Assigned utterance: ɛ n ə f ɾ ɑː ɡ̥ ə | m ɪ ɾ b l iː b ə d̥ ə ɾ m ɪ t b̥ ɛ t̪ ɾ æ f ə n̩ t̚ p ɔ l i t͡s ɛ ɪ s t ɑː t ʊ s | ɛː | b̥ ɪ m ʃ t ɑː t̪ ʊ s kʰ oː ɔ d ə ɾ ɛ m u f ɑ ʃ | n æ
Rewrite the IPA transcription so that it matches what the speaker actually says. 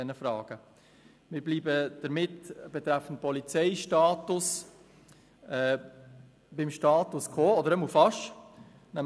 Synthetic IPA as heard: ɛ n ə f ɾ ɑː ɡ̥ ə | m ɪ ɾ b l iː b ə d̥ ə ɾ m ɪ t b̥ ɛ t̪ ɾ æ f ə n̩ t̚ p ɔ l i t͡s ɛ ɪ ʃ t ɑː t ʊ s | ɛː | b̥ ɪ m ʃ t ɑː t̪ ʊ s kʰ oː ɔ d ə ɾ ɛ m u f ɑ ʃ | n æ